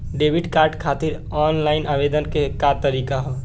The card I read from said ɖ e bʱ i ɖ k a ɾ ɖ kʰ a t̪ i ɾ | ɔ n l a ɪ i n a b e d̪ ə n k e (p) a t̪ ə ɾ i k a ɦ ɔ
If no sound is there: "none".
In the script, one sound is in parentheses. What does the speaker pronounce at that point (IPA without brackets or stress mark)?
k